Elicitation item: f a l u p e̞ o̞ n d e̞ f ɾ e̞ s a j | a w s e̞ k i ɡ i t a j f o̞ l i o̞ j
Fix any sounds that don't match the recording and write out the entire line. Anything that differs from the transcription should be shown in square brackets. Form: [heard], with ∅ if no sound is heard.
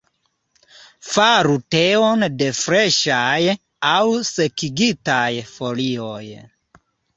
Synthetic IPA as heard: f a [ɾ] u [t] e̞ o̞ n d e̞ f ɾ e̞ [ʃ] a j | a w s e̞ k i ɡ i t a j f o̞ l i o̞ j